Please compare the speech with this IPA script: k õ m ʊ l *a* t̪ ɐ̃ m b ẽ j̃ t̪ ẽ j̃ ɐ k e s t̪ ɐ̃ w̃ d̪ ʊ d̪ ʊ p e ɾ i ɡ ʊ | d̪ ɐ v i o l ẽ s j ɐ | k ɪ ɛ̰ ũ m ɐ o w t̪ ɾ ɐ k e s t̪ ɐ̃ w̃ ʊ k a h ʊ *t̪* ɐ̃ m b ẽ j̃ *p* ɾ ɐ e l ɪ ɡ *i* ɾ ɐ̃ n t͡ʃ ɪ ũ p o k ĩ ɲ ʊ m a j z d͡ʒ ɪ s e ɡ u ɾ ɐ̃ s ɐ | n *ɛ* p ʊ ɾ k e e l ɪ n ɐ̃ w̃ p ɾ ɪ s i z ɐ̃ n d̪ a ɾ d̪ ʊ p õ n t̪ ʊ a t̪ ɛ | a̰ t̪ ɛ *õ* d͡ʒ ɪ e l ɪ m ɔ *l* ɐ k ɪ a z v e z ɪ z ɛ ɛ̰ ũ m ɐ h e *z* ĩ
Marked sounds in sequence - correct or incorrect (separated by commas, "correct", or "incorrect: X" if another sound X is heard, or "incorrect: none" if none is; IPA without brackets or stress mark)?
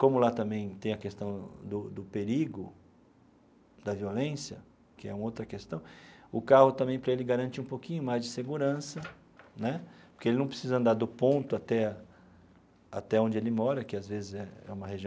correct, correct, correct, incorrect: a, correct, correct, incorrect: ɾ, incorrect: ʒ